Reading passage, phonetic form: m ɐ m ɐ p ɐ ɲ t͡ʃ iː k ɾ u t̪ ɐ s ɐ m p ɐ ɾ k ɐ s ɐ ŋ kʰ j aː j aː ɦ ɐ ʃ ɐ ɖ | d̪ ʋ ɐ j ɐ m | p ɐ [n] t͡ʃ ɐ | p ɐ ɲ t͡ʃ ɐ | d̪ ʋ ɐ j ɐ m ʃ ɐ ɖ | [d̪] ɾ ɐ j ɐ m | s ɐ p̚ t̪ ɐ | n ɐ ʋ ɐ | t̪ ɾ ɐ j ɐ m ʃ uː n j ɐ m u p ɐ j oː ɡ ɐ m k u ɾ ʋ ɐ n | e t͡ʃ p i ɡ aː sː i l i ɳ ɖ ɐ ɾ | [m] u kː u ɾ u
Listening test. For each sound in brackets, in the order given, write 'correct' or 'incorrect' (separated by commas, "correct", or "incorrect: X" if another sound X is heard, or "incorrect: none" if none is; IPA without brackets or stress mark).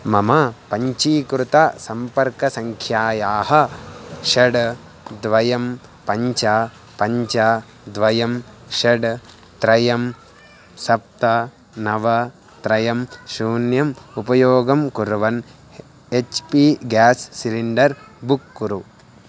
incorrect: ɲ, incorrect: t̪, incorrect: b